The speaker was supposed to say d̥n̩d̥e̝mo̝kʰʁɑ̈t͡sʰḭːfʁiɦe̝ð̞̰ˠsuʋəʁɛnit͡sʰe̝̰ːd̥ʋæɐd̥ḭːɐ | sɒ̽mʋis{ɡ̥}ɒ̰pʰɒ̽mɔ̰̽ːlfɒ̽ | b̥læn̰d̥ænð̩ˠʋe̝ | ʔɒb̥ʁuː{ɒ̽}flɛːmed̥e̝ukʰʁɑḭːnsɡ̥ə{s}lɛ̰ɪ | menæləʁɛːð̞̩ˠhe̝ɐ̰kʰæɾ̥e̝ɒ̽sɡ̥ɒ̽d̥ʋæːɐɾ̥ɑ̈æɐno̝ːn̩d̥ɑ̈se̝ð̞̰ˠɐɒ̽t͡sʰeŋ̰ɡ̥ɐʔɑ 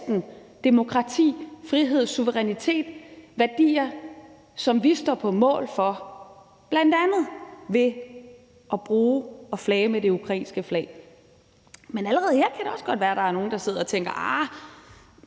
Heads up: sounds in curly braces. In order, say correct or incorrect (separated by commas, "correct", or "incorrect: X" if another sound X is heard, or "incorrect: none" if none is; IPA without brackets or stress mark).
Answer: incorrect: d̥, correct, incorrect: f